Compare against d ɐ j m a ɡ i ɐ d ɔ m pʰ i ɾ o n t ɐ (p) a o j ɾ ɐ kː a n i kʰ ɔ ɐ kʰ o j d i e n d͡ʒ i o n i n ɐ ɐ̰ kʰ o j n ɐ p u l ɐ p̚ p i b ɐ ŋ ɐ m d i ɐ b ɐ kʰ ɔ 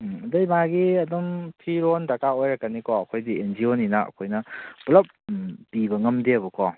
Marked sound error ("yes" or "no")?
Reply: yes